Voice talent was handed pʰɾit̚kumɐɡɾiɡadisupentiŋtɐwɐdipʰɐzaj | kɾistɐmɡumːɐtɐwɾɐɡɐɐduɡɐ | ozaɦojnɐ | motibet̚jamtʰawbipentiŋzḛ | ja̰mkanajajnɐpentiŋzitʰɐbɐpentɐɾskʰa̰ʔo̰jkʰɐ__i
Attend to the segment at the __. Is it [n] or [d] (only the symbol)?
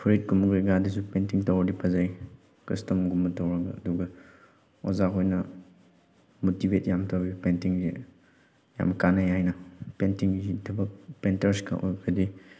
d